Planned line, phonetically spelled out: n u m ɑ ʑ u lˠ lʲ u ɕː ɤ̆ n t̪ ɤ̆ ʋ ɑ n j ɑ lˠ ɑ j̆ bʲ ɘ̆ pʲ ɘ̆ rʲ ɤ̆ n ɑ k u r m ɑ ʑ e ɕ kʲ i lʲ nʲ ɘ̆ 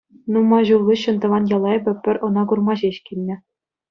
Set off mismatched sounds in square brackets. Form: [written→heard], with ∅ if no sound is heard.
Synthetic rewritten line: n u m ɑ ʑ u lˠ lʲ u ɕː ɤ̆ n t̪ ɤ̆ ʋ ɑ n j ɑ lˠ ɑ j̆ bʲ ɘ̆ pʲ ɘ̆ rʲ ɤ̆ n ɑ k u r m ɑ ʑ e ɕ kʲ i lʲ nʲ ɘ̆